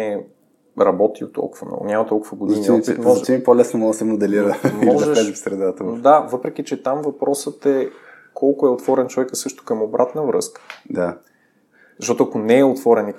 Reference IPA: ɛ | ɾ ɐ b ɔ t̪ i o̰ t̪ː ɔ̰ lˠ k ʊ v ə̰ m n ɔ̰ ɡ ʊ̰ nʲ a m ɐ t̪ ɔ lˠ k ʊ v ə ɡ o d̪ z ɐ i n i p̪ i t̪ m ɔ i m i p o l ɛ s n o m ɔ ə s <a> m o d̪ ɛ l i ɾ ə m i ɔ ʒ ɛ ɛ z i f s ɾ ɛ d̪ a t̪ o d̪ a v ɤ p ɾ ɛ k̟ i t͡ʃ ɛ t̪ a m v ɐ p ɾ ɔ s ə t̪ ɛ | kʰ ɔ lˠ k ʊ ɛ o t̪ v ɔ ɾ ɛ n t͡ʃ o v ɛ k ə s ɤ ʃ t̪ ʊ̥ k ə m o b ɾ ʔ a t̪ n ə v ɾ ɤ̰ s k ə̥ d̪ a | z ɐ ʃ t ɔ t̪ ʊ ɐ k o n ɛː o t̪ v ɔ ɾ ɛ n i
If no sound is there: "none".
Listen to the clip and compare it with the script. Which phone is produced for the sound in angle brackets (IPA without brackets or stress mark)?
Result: ɛ